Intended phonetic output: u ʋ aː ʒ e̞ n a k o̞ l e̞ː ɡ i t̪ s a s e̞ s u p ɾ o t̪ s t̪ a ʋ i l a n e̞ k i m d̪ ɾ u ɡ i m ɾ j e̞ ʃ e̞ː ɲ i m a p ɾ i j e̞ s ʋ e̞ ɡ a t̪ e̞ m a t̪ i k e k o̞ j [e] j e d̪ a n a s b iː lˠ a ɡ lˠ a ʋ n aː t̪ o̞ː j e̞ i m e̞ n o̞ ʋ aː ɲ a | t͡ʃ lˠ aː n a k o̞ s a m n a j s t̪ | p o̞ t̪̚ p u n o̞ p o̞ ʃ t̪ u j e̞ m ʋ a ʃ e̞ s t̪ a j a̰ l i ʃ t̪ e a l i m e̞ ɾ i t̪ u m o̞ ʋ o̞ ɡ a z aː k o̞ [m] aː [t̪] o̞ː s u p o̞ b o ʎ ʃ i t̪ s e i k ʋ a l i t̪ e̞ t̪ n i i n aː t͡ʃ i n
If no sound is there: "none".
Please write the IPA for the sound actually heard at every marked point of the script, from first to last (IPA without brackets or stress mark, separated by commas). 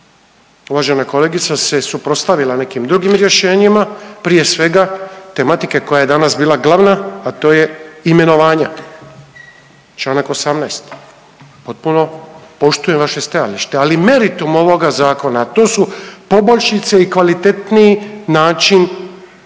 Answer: a, n, t̪